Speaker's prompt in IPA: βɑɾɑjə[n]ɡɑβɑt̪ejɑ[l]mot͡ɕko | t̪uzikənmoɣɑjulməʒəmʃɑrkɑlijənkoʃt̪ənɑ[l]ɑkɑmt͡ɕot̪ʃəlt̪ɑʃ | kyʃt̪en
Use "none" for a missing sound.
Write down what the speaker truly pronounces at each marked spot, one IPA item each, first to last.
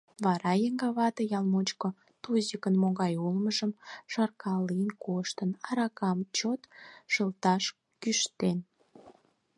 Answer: ŋ, l, ɾ

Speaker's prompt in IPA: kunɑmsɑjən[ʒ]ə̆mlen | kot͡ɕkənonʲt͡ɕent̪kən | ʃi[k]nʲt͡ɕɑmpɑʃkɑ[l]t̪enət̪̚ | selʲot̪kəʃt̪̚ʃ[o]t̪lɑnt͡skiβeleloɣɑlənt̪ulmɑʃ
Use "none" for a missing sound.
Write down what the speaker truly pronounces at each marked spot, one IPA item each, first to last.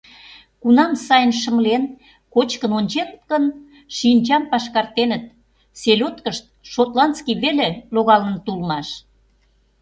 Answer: ʃ, none, r, o

